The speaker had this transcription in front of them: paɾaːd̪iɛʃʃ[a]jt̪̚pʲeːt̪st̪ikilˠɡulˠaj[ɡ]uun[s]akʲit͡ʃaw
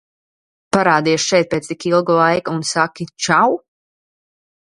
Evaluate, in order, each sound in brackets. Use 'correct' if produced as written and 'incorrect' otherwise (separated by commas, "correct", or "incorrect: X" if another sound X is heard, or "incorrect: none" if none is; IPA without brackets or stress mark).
incorrect: ɛ, incorrect: k, correct